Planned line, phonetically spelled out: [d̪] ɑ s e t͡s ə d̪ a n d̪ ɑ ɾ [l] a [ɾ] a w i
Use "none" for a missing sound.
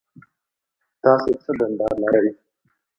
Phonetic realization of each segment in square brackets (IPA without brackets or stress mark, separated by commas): t̪, l, ɾ